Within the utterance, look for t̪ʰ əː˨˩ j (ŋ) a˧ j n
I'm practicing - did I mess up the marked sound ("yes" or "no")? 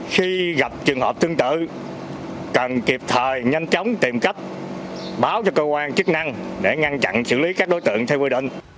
yes